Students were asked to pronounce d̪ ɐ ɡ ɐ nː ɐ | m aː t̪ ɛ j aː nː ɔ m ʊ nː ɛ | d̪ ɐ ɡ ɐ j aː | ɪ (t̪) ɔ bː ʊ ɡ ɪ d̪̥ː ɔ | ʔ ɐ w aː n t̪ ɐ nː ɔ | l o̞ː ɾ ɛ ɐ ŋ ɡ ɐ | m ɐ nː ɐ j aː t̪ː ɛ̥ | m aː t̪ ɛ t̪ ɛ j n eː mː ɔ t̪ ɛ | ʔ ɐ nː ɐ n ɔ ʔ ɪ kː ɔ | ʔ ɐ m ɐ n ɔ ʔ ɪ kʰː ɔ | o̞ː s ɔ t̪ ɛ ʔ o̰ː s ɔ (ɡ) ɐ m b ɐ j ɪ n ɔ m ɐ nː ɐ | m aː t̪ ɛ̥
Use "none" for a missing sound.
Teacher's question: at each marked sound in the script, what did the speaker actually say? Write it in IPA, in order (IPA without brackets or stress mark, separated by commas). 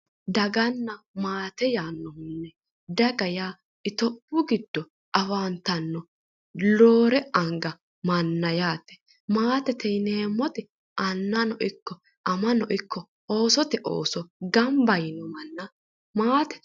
t̪, ɡ